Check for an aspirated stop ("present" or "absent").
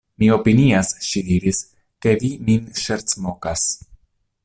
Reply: absent